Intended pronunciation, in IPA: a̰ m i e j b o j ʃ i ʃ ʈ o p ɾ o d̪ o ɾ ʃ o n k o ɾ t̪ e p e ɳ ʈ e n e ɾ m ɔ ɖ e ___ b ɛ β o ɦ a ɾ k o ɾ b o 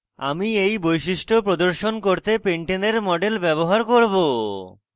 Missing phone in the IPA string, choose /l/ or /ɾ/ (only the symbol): l